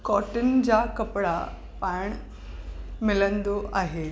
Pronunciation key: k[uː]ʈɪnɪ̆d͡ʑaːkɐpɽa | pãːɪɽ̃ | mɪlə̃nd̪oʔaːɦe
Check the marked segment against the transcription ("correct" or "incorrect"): incorrect